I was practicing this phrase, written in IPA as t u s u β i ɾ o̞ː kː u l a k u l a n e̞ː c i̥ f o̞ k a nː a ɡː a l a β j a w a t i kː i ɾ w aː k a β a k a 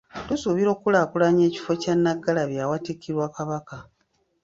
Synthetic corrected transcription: t u s u β i ɾ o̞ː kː u l a k u l a ɲ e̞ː c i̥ f o̞ c a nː a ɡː a l a β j a w a t i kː i ɾ w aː k a β a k a